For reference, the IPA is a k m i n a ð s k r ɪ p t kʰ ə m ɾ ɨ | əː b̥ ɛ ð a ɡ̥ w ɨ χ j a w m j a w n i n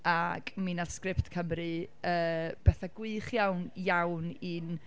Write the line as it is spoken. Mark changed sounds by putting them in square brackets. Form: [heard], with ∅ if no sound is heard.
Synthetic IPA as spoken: a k m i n a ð s k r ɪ p t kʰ ə m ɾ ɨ | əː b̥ ɛ [θ] a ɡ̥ w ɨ χ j a w [n] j a w n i n